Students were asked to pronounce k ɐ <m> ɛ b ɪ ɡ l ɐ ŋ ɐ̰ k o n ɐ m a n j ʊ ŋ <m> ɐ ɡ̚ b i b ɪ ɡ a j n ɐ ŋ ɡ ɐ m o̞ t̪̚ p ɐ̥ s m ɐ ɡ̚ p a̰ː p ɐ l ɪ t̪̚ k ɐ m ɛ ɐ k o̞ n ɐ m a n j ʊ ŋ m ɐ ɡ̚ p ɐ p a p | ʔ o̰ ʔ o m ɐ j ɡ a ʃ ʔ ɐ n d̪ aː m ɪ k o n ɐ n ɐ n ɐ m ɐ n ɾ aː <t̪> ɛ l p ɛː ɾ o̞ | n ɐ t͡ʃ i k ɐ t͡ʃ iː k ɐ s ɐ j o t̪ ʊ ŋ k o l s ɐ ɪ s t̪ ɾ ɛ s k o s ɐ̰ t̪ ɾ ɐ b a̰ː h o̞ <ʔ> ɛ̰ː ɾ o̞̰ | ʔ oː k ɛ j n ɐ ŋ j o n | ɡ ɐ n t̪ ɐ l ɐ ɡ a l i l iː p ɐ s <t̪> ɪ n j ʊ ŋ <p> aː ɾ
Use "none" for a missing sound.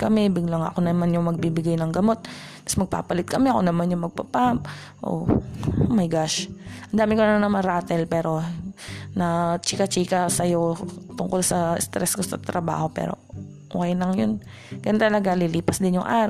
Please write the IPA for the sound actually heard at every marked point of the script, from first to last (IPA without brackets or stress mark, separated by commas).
m, m, t̪, p, d̪, ʔ